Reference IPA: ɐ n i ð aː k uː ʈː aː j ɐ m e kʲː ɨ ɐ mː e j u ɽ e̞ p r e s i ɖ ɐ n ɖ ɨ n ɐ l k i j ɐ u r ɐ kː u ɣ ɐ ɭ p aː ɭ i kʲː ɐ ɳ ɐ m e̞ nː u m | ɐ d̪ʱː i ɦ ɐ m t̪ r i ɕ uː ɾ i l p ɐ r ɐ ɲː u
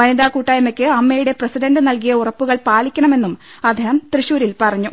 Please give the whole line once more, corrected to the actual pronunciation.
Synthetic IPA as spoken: ɐ n i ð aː k uː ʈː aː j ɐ m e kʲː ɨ ɐ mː e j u ɽ e̞ p r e s i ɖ ɐ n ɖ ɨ n ɐ l k i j ɐ u r ɐ pː u ɣ ɐ ɭ p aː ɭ i kʲː ɐ ɳ ɐ m e̞ nː u m | ɐ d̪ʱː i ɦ ɐ m t̪ r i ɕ uː ɾ i l p ɐ r ɐ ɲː u